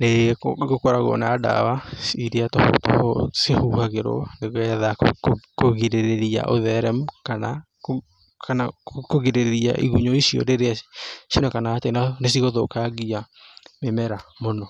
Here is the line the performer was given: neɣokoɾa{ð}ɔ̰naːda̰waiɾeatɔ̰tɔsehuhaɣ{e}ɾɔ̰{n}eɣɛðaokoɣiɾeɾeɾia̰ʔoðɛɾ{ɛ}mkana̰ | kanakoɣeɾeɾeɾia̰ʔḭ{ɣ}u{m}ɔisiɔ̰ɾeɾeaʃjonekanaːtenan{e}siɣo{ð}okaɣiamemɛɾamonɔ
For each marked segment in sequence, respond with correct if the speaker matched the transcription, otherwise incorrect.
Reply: incorrect, correct, correct, correct, correct, incorrect, correct, correct

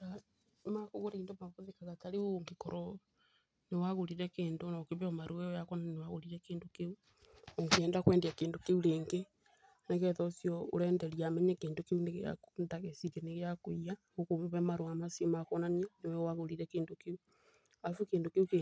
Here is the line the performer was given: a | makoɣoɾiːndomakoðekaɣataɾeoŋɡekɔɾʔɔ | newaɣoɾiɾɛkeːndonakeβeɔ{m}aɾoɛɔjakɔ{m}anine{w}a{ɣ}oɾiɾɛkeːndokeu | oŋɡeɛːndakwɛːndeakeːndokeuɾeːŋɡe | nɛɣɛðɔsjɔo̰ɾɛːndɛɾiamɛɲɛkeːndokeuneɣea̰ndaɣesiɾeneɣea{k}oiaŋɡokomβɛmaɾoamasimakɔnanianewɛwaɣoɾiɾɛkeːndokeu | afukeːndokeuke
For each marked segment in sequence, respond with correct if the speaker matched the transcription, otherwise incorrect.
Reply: correct, incorrect, correct, correct, correct

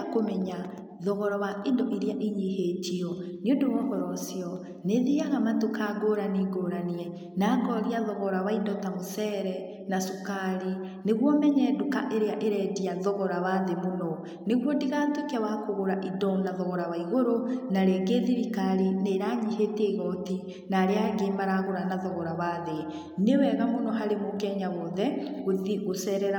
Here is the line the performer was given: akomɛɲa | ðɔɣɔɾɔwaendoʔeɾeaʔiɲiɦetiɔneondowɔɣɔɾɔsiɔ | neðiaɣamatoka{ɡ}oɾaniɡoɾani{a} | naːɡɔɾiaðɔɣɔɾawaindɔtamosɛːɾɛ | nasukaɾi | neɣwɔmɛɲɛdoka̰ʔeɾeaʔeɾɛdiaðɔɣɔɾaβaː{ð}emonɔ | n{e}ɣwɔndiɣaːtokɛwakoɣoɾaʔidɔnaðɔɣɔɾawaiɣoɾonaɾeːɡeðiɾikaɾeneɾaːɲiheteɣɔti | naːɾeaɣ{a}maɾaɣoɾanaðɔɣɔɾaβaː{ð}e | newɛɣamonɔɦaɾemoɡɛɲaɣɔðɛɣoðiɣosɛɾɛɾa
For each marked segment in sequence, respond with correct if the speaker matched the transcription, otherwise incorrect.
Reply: correct, incorrect, correct, correct, incorrect, correct

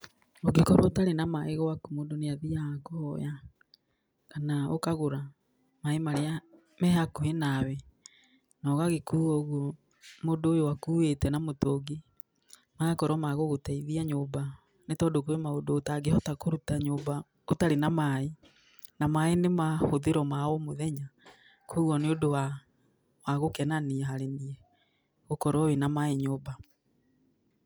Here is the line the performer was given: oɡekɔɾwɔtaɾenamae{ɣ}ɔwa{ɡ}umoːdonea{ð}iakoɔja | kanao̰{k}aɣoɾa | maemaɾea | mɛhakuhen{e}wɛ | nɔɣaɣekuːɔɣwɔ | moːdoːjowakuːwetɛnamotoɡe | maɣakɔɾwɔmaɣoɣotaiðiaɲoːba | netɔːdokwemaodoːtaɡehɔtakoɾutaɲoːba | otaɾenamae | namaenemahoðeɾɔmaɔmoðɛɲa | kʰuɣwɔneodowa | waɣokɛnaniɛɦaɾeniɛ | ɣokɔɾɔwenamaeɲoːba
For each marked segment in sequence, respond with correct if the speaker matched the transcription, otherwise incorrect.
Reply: correct, incorrect, correct, correct, incorrect

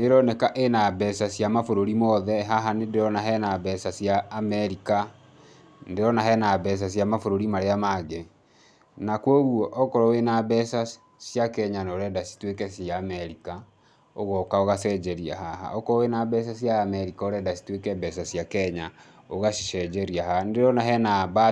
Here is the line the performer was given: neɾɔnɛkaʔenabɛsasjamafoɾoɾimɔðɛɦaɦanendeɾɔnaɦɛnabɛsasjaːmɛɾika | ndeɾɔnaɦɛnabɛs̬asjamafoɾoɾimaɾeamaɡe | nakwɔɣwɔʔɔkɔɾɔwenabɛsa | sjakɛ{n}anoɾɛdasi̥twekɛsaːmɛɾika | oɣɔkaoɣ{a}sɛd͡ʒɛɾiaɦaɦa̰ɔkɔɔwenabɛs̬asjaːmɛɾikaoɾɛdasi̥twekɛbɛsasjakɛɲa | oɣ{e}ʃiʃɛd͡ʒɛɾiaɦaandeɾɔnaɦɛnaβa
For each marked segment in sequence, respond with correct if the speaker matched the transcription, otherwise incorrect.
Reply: incorrect, correct, incorrect

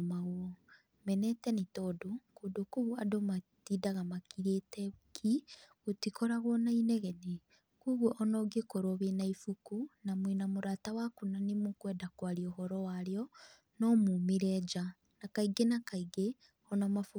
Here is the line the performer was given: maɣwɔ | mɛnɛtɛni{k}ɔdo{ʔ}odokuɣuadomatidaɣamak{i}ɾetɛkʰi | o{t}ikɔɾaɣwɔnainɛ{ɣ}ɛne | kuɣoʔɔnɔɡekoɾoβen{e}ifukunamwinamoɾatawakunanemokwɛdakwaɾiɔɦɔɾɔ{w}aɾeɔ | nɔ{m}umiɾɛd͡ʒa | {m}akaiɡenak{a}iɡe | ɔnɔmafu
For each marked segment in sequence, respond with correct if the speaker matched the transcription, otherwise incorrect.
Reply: incorrect, incorrect, correct, correct, correct, incorrect, correct, correct, incorrect, correct

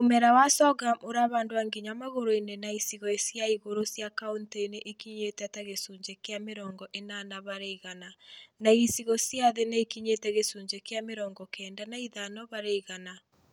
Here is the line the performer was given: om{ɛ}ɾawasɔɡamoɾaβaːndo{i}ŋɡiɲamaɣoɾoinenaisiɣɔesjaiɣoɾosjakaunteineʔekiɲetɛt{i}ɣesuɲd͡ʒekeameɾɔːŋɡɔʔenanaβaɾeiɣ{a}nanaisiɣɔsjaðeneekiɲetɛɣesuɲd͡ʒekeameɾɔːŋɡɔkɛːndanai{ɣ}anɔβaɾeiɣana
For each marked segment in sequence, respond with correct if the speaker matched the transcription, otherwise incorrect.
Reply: correct, incorrect, incorrect, correct, incorrect

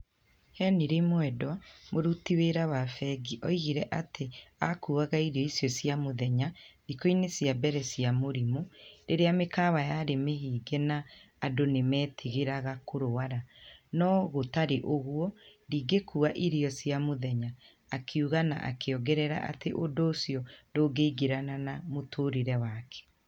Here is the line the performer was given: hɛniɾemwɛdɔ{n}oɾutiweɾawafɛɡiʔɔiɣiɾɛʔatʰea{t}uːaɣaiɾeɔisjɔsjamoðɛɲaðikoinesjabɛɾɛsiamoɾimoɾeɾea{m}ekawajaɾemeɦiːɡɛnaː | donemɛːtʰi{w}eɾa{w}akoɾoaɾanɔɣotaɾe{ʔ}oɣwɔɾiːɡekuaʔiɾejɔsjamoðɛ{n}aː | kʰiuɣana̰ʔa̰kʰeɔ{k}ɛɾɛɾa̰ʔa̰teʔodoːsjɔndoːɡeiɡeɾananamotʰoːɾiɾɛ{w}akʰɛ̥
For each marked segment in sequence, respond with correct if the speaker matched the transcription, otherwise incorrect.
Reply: incorrect, incorrect, correct, incorrect, incorrect, correct, incorrect, incorrect, correct

